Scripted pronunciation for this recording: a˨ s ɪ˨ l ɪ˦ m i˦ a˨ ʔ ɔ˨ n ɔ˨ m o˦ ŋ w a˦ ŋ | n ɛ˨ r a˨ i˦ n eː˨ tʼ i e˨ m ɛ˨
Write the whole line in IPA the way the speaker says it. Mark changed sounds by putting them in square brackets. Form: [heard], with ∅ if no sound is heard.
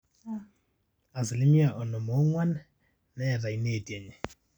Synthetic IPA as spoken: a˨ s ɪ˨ l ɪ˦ m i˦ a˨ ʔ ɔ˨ n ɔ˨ m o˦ ŋ w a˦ [n] | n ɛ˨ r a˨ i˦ n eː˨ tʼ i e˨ [ɲ] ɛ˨